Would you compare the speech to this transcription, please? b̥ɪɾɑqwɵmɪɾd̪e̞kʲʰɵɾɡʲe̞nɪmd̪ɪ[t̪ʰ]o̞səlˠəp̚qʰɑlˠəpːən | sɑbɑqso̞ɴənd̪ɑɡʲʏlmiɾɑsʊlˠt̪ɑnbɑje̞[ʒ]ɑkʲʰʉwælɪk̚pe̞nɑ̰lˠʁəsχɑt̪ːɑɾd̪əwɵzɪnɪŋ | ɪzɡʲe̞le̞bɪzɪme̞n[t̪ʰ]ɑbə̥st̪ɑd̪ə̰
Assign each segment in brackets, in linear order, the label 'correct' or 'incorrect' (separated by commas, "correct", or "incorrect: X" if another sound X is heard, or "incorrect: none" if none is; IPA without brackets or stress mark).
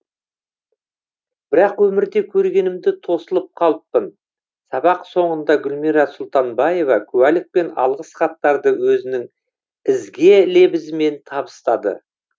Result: correct, incorrect: v, correct